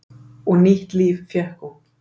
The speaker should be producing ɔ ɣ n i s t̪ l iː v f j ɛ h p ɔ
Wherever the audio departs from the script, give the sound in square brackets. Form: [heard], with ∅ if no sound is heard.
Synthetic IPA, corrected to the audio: ɔ ɣ n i [h] t̪ l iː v f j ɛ h [k] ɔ